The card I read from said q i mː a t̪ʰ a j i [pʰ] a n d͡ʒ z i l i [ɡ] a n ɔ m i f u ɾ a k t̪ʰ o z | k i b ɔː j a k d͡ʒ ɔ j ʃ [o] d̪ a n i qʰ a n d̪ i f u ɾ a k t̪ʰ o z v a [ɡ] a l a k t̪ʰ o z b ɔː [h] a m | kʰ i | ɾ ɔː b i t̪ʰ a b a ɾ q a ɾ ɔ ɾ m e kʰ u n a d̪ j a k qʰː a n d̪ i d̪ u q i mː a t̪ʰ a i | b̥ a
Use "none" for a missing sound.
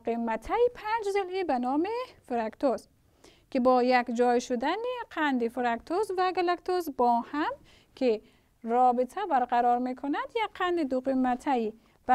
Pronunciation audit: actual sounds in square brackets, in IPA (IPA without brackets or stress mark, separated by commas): pʰ, b, u, ɡ, h